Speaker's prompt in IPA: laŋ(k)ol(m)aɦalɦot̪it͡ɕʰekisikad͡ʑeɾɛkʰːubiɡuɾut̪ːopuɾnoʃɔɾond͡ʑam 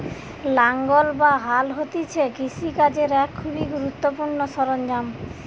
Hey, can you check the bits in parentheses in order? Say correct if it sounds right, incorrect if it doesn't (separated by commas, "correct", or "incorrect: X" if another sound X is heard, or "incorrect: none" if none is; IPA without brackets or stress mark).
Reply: incorrect: ɡ, incorrect: b